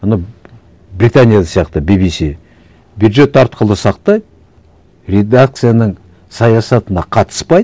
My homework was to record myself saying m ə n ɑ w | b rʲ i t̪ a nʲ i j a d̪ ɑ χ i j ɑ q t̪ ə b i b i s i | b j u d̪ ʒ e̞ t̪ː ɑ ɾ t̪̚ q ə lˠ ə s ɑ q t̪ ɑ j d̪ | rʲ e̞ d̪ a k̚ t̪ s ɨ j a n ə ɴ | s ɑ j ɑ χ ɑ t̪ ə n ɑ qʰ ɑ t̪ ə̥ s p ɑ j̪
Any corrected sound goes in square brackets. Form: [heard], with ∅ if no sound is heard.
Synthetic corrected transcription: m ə n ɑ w | b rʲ i t̪ a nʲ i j a d̪ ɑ [s] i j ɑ q t̪ ə b i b i s i | b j u d̪ ʒ e̞ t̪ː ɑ ɾ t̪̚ q ə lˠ ə s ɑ q t̪ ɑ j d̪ | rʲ e̞ d̪ a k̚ t̪ s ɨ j a n ə ɴ | s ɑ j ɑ [s] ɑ t̪ ə n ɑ qʰ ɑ t̪ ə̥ s p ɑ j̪